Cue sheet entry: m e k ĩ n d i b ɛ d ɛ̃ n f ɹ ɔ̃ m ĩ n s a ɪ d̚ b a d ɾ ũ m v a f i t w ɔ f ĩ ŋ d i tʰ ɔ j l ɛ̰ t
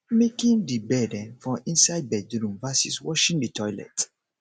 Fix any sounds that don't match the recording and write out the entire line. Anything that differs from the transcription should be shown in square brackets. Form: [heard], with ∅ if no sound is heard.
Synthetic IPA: m e k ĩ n d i b ɛ d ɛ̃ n f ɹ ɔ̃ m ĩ n s a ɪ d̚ b [ɛ] d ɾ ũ m v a [s] i [s] w ɔ [ʃ] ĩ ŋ d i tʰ ɔ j l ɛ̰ t